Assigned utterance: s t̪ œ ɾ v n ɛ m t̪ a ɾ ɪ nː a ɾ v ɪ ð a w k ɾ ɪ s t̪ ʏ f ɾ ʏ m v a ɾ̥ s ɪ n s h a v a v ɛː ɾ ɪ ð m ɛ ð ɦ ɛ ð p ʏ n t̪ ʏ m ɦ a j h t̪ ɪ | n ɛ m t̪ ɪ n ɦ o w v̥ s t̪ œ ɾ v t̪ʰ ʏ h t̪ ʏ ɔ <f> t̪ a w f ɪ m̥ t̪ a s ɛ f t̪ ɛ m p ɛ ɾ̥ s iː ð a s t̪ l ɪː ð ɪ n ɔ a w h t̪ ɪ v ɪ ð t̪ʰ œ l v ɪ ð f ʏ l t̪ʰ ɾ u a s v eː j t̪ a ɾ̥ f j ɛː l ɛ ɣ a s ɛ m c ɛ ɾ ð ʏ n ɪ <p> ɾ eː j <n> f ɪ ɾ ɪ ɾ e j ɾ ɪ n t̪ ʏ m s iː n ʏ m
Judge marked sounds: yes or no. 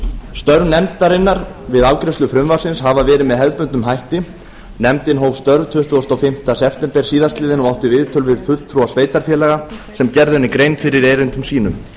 no, no, yes

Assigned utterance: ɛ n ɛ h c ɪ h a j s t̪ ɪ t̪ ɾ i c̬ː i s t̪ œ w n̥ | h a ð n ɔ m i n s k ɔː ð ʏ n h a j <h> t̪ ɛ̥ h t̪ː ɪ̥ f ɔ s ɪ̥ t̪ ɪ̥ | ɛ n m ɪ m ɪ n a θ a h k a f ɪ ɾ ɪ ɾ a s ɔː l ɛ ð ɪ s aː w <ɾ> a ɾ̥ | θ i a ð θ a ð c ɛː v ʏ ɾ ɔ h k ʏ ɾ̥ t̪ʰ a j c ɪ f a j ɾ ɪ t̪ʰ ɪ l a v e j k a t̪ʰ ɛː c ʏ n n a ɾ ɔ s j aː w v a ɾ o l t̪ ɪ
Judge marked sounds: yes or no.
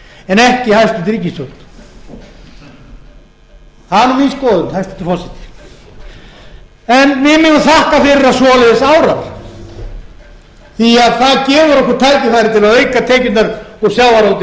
no, yes

